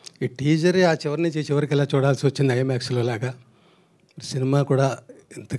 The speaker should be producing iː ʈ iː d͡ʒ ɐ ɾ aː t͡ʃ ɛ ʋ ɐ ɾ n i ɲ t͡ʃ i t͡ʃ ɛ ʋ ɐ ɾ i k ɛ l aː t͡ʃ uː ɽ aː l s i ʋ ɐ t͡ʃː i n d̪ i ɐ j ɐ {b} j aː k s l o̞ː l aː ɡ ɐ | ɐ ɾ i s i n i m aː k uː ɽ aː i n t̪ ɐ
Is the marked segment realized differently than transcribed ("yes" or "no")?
yes